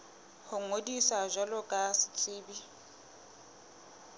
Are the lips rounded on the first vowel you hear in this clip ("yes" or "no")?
yes